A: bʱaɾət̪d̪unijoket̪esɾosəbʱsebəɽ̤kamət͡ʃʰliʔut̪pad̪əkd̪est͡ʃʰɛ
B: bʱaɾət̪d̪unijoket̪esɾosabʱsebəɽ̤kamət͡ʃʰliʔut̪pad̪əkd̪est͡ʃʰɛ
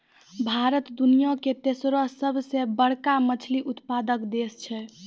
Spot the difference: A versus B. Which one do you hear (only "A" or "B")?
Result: A